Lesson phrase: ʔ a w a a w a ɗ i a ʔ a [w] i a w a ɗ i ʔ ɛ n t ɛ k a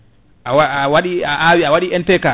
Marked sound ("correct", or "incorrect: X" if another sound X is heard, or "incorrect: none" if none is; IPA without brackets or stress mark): correct